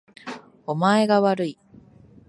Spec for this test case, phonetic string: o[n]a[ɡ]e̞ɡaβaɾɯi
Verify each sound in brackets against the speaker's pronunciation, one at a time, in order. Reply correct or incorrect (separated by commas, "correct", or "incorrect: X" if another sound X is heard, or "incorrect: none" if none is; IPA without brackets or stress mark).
incorrect: m, incorrect: none